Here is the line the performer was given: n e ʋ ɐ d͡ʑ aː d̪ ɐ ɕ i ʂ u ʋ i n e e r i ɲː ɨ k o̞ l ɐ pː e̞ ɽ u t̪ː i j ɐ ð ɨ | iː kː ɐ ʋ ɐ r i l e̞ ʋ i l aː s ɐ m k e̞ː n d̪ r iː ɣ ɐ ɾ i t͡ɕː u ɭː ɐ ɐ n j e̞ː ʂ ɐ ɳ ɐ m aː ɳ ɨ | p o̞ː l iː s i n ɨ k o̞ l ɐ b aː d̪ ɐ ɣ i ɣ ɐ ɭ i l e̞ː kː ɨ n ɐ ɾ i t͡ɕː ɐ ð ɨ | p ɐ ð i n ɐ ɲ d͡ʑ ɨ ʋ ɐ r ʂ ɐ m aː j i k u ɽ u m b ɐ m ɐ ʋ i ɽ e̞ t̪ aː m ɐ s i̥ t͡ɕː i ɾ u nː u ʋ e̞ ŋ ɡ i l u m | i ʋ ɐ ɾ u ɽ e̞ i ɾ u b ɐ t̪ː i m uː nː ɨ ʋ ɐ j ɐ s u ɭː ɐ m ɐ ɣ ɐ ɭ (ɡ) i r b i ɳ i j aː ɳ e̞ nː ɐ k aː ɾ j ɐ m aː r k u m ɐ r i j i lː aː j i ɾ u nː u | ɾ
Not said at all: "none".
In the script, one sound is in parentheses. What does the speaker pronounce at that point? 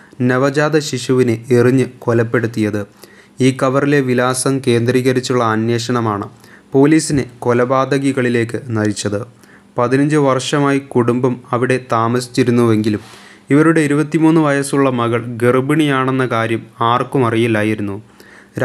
ɡ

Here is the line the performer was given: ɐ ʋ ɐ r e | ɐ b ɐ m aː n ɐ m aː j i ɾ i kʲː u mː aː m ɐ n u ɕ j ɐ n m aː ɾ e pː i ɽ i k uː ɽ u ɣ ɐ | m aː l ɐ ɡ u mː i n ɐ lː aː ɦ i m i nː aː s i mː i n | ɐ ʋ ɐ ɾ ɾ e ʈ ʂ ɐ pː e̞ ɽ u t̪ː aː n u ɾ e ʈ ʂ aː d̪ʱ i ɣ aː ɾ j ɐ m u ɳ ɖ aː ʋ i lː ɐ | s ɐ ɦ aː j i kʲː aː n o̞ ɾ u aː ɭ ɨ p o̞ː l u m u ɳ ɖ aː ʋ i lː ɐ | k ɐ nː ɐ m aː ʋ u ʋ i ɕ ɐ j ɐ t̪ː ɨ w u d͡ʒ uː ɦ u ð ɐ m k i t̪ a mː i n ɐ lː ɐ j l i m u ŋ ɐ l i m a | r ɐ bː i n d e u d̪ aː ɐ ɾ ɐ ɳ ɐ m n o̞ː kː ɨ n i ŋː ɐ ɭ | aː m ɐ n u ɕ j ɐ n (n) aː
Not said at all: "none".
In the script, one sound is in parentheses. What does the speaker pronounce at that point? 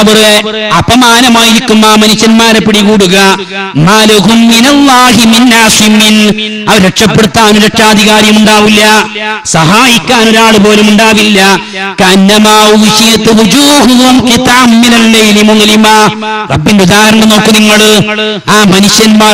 m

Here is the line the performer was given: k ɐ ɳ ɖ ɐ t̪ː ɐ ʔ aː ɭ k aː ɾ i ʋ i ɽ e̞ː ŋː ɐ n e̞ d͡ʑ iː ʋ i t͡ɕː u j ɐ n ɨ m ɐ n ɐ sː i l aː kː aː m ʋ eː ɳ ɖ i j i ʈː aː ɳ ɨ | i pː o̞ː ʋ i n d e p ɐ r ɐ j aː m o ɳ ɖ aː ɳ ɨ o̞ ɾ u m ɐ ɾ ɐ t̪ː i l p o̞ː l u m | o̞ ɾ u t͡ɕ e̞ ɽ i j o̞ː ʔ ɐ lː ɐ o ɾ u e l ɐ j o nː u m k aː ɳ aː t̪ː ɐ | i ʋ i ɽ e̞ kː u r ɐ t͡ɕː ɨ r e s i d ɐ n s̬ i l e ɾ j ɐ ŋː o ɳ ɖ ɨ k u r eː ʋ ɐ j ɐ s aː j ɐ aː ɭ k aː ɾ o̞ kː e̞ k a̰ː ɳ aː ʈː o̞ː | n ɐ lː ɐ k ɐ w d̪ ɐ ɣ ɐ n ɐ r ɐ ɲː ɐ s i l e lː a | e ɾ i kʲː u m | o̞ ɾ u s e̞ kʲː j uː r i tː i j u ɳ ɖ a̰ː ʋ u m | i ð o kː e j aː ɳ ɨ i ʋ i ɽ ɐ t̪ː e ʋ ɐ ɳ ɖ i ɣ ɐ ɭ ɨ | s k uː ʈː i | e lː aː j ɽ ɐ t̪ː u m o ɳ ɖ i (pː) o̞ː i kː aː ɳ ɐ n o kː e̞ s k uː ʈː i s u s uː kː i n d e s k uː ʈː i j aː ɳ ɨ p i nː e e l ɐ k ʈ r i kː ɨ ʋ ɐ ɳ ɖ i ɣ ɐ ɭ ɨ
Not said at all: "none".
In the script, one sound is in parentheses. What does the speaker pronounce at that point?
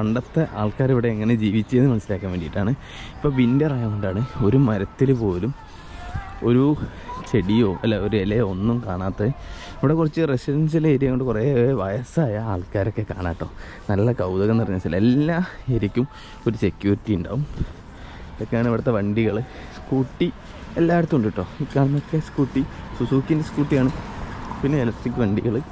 ʈː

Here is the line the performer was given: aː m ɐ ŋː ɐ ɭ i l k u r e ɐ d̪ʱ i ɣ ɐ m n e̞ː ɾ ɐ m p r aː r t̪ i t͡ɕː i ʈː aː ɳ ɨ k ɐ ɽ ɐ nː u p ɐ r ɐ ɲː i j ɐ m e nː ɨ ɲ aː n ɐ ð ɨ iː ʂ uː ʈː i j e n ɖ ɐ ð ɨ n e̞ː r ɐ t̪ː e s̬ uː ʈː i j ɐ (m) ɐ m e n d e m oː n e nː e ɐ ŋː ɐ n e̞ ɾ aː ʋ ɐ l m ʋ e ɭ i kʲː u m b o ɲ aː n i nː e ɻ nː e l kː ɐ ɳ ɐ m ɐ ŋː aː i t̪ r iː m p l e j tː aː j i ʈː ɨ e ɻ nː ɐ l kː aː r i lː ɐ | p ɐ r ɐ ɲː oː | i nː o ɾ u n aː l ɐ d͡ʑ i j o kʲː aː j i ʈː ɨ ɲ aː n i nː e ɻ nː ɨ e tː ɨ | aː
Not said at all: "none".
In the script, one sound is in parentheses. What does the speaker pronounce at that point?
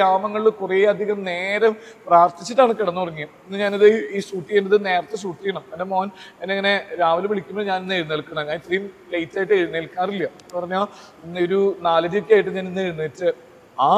ɳ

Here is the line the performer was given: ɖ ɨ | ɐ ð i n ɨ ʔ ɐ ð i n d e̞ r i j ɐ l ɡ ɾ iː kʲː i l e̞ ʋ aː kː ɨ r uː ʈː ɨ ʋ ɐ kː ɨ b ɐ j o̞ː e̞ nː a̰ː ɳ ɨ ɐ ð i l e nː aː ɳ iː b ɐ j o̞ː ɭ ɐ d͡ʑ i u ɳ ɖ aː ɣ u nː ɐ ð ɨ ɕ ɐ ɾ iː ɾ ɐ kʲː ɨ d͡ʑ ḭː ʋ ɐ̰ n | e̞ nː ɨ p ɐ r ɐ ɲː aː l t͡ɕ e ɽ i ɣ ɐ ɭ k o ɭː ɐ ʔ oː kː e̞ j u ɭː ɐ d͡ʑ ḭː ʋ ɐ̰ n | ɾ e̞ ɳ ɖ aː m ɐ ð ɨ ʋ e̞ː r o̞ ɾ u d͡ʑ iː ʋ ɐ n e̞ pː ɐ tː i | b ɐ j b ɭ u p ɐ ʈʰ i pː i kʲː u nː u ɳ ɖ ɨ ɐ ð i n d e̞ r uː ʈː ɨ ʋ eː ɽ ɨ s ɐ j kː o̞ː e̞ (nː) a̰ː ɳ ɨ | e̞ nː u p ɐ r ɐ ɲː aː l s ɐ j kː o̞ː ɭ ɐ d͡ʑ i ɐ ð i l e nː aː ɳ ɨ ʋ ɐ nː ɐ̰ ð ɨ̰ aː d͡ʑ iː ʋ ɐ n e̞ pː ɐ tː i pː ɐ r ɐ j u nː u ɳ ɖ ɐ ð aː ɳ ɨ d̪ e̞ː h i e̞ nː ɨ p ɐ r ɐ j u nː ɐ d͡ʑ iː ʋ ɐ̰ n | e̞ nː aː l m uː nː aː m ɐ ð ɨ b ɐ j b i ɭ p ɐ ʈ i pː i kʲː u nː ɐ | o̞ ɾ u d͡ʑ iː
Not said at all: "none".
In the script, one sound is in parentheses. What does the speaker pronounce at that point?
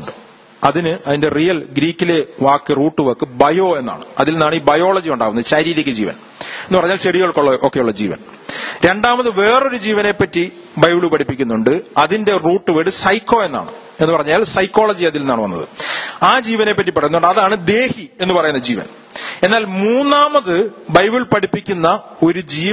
nː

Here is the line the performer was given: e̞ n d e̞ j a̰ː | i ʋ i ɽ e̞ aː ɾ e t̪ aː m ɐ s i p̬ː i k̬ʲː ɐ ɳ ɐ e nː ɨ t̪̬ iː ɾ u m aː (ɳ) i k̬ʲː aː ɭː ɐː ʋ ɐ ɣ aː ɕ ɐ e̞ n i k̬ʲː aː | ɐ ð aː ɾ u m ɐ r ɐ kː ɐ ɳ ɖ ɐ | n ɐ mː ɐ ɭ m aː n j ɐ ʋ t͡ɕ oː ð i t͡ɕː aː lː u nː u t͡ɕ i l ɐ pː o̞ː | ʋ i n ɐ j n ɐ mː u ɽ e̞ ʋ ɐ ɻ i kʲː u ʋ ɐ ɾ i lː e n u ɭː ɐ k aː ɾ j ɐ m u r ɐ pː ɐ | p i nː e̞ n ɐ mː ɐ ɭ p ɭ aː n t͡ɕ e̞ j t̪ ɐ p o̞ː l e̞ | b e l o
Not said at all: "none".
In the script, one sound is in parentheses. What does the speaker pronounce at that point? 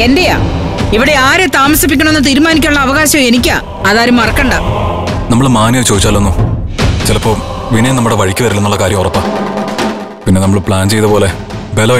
n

